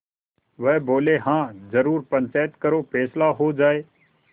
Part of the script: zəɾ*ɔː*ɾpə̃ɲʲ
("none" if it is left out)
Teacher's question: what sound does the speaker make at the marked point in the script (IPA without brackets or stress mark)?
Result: uː